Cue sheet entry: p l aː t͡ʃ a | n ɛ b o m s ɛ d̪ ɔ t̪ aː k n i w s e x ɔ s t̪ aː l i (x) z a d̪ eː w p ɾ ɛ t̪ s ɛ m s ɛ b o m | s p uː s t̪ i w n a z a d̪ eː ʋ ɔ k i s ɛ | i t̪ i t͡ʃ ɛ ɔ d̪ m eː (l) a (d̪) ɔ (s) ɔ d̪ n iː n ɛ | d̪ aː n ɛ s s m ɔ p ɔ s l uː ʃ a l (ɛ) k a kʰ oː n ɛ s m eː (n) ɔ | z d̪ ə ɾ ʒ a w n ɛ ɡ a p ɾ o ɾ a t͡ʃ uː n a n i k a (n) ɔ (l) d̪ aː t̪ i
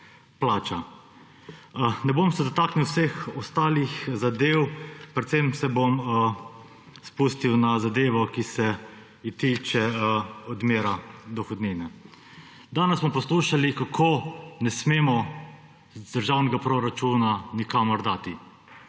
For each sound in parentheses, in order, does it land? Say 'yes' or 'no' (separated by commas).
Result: yes, no, yes, no, no, no, no, no